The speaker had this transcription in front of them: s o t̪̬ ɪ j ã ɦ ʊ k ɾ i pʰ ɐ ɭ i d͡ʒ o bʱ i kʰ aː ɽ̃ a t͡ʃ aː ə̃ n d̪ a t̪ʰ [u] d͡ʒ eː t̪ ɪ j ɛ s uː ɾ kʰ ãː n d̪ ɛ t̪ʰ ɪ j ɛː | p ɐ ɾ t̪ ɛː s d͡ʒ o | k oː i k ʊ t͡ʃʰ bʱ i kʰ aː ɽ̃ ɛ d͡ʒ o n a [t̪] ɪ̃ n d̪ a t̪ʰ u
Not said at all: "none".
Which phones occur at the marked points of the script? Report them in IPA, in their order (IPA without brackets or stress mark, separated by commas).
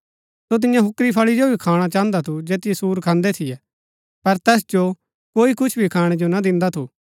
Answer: u, d̪